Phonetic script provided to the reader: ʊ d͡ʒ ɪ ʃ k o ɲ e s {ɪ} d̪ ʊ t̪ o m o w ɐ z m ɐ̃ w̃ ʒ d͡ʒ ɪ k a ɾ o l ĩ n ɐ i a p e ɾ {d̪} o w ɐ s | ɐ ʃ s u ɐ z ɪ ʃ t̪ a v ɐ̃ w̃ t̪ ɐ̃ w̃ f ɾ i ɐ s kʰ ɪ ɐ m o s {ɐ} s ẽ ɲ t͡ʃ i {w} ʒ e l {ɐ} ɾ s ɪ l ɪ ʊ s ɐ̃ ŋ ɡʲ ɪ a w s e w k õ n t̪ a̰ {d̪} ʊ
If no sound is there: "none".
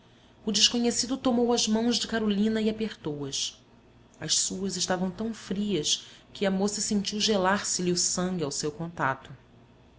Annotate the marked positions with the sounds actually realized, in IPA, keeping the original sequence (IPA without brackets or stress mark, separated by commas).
i, t̪, ɐ, w, a, t̪